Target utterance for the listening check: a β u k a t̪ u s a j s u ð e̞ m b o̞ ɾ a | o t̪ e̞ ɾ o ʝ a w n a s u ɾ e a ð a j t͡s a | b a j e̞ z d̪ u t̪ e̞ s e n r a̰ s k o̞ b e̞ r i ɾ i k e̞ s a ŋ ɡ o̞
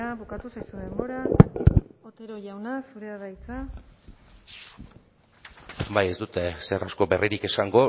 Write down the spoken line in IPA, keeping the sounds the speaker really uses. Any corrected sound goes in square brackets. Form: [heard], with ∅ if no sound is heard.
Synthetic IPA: a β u k a t̪ u s a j s u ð e̞ m b o̞ ɾ a | o t̪ e̞ ɾ o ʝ a w n a s u ɾ e a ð a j t͡s a | b a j e̞ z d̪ u t̪ e̞ s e [∅] r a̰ s k o̞ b e̞ r i ɾ i k e̞ s a ŋ ɡ o̞